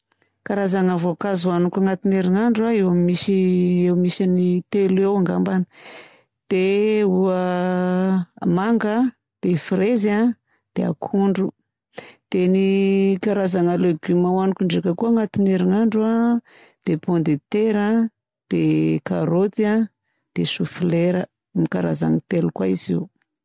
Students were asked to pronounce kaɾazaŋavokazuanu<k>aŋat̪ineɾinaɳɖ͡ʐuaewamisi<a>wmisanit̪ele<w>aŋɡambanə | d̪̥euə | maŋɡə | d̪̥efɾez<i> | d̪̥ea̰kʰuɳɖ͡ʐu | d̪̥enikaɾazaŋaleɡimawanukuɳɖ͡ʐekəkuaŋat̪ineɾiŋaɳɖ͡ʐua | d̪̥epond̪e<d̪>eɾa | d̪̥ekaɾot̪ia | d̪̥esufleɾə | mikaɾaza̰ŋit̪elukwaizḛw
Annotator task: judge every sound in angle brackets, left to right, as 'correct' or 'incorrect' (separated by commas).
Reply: correct, incorrect, correct, incorrect, incorrect